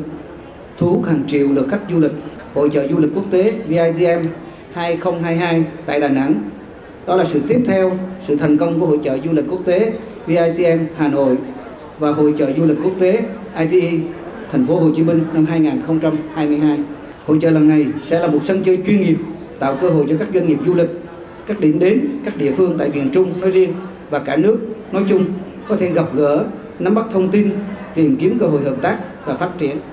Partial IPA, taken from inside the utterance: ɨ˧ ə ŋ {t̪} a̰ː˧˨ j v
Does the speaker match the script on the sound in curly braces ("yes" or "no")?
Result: yes